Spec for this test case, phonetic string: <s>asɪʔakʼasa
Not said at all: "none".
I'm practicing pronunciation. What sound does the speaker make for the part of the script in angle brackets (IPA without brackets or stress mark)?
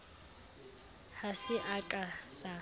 h